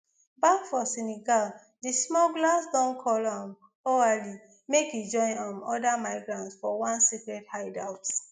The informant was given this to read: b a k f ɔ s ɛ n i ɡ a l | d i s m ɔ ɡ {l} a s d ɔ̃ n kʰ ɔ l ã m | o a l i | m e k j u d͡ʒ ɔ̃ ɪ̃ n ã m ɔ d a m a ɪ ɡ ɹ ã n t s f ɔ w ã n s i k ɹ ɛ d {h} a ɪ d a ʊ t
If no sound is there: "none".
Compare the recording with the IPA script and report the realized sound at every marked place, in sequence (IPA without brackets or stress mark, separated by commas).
l, h